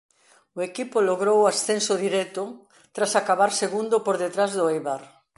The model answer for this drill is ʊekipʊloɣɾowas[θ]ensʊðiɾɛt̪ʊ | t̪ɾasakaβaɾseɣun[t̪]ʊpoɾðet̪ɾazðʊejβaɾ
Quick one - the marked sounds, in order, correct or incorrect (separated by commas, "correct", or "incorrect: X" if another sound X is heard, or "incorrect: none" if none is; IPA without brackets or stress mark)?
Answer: correct, incorrect: d̪